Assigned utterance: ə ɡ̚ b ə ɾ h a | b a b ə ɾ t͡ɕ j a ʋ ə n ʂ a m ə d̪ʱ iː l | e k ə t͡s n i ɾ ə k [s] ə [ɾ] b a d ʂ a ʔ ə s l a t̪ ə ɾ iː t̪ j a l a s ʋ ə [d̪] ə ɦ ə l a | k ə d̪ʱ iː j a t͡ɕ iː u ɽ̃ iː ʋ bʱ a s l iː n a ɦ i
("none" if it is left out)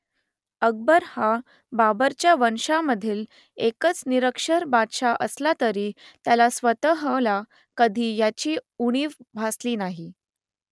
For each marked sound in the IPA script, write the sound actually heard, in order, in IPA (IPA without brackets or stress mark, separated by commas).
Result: ʂ, ɾ, t̪